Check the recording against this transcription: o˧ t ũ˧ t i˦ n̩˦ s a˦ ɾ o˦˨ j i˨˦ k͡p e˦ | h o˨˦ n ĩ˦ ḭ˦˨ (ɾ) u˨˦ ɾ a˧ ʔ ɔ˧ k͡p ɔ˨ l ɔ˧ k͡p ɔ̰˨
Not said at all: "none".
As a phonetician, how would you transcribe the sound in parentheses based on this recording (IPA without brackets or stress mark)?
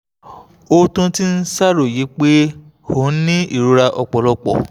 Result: ɾ